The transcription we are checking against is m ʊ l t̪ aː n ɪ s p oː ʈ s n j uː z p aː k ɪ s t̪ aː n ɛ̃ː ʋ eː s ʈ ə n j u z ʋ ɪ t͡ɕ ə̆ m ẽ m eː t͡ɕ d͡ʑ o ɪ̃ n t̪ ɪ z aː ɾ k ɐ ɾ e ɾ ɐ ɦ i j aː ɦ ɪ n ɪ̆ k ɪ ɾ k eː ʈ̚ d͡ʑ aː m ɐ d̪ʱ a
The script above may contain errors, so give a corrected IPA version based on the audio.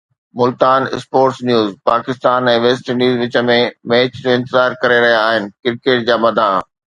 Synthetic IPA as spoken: m ʊ l t̪ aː n ɪ s p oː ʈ s n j uː z p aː k ɪ s t̪ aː n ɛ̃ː ʋ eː s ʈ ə n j uː z ʋ ɪ t͡ɕ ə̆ m ẽ m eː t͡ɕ d͡ʑ o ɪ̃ n t̪ ɪ z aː ɾ k ɐ ɾ e ɾ ɐ ɦ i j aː ɦ ɪ n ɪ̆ k ɪ ɾ k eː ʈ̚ d͡ʑ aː m ɐ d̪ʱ a